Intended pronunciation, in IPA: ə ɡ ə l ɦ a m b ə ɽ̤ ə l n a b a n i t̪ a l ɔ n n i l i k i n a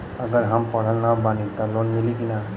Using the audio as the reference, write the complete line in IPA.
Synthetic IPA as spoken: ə ɡ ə ɾ ɦ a m p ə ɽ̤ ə l n a b a n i t̪ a l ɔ n m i l i k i n a